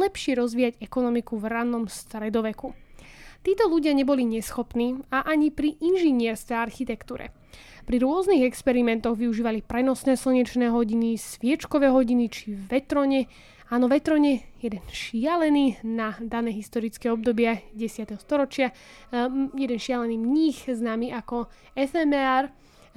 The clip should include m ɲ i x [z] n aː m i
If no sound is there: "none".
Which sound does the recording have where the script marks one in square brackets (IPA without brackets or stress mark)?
z